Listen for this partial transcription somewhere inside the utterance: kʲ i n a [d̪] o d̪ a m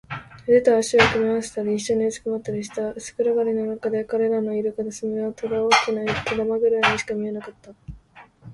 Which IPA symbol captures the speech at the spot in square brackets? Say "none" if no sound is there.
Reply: t̪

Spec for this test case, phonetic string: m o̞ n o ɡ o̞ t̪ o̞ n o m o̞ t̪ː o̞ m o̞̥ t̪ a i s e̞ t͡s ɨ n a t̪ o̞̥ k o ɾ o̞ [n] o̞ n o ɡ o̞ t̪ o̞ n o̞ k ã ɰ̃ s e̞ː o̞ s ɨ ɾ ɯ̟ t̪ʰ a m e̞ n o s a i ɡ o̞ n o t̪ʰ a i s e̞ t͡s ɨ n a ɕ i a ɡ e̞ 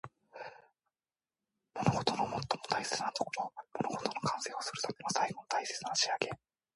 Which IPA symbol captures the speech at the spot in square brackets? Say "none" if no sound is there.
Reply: m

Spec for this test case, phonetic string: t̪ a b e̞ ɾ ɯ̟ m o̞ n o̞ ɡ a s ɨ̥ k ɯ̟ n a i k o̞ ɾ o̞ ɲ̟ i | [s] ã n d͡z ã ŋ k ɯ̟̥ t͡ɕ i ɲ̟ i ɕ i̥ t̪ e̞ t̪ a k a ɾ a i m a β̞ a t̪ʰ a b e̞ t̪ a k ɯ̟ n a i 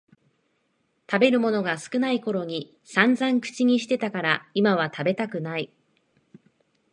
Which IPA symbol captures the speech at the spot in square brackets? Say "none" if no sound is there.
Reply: s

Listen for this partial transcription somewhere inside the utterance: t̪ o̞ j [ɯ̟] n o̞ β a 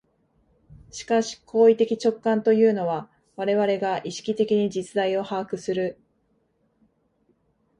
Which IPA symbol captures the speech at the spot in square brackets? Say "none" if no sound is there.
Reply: ɯ̟ː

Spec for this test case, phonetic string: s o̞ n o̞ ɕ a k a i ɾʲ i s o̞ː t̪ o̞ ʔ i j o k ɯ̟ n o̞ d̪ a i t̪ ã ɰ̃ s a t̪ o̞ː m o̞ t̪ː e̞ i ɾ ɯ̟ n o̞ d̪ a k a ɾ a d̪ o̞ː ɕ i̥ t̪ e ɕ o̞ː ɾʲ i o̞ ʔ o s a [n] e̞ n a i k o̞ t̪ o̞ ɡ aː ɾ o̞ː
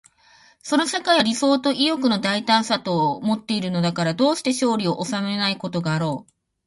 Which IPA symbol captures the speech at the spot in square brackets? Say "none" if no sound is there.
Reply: m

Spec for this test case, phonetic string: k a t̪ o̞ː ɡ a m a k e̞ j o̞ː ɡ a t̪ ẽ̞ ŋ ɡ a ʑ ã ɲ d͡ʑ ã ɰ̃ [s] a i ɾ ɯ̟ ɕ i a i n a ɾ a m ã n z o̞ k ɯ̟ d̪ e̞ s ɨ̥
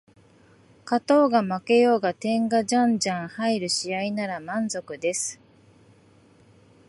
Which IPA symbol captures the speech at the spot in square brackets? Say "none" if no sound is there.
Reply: h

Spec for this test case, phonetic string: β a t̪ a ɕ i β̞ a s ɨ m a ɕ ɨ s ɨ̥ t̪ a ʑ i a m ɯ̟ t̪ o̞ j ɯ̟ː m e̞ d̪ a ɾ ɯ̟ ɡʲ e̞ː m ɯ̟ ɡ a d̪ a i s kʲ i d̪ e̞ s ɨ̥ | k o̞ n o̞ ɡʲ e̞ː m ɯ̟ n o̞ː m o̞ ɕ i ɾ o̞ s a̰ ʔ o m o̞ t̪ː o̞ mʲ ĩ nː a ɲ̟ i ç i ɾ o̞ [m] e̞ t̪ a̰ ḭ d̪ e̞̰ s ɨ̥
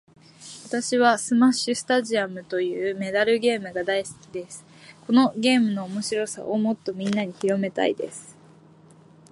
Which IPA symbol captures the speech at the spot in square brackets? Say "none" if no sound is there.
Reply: m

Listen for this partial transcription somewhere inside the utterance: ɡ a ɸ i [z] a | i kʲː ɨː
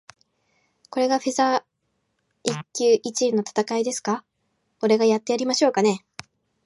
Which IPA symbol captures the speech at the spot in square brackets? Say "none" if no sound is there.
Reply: z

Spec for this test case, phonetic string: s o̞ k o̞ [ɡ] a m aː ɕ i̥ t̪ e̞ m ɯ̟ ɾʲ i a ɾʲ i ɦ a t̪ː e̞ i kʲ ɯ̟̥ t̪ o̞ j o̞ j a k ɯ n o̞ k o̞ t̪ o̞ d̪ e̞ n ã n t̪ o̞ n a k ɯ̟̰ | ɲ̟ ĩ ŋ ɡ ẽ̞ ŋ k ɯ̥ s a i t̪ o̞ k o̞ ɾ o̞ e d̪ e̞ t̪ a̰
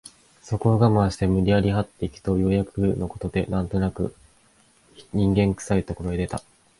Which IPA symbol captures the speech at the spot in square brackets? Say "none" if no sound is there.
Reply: ɡ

